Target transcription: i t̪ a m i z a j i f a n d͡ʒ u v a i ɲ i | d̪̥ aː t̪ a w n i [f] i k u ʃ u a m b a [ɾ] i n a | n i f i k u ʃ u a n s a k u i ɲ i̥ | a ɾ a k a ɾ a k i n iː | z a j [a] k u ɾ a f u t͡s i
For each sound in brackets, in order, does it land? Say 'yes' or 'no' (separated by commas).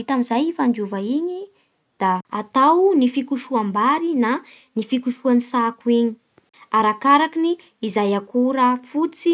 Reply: yes, yes, yes